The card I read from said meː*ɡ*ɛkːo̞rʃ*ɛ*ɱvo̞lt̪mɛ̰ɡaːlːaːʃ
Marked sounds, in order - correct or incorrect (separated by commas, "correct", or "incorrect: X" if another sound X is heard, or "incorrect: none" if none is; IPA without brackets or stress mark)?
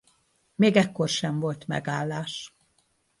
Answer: correct, correct